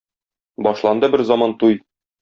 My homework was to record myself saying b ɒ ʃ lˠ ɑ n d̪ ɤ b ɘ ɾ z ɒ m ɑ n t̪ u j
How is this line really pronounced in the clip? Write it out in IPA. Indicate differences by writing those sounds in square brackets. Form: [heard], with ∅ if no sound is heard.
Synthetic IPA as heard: b ɒ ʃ lˠ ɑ n d̪ ɤ b ɘ ɾ z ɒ m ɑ n t̪ u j

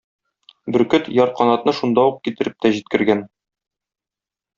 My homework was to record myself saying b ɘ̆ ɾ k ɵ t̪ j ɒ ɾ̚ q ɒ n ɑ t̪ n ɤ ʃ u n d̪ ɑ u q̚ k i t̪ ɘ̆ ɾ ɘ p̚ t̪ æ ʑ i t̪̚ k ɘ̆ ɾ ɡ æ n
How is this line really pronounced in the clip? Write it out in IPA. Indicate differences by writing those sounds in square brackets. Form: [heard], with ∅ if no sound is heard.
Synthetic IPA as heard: b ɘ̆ ɾ k ɵ t̪ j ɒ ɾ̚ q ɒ n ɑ t̪ n ɤ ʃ u n d̪ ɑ u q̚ k i t̪ ɘ̆ ɾ ɘ p̚ t̪ æ ʑ i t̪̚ k ɘ̆ ɾ ɡ æ n

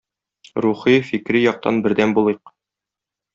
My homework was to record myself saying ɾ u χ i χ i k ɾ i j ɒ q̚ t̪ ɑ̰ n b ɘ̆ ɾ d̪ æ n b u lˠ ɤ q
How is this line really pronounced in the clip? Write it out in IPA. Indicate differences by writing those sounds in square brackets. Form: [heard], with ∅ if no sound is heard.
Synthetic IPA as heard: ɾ u χ i [f] i k ɾ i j ɒ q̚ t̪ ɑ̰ n b ɘ̆ ɾ d̪ æ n b u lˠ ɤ q

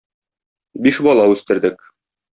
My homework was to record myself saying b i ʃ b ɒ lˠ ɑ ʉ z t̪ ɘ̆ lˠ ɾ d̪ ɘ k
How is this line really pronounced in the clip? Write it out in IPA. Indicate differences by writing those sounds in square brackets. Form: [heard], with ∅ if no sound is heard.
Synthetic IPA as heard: b i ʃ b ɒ lˠ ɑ ʉ [s] t̪ ɘ̆ [∅] ɾ d̪ ɘ k

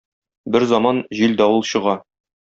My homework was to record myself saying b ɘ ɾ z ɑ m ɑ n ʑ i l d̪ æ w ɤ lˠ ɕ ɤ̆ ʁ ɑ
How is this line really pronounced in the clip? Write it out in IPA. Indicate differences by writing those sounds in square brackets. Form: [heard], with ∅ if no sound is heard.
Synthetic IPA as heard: b ɘ ɾ z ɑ m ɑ n ʑ i l d̪ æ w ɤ lˠ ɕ ɤ̆ ʁ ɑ

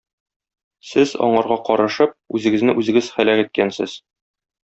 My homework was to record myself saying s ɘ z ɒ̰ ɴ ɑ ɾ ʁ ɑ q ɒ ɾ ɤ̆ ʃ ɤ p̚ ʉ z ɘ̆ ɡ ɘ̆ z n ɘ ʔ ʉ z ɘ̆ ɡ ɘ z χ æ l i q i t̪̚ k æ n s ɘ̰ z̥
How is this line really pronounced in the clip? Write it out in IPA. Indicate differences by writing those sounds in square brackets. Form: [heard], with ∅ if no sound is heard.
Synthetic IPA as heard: s ɘ z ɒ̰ ɴ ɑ ɾ ʁ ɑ q ɒ ɾ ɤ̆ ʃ ɤ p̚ ʉ z ɘ̆ ɡ ɘ̆ z n ɘ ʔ ʉ z ɘ̆ ɡ ɘ z χ æ l [æ] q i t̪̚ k æ n s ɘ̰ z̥

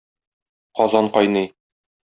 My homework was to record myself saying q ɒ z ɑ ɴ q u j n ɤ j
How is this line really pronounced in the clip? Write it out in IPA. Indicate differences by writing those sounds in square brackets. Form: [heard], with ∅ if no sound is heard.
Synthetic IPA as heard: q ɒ z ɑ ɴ q [ɒ] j n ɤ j

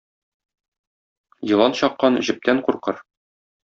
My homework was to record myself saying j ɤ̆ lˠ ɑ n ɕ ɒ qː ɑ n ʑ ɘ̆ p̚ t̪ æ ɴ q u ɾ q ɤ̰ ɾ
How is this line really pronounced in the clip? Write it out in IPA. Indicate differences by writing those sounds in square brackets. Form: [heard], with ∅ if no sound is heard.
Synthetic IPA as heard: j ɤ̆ lˠ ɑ n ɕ ɒ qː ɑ n ʑ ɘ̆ p̚ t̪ æ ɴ q u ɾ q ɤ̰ ɾ

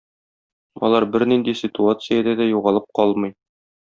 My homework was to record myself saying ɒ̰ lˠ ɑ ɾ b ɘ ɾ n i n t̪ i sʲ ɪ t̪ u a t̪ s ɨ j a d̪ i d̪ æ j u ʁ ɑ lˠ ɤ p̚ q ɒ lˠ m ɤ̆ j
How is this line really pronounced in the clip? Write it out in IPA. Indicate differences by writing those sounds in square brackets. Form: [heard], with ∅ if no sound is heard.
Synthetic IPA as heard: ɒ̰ lˠ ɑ ɾ b ɘ ɾ n i n [d̪] i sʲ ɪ t̪ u a t̪ s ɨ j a d̪ [æ] d̪ æ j u ʁ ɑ lˠ ɤ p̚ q ɒ lˠ m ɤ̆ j

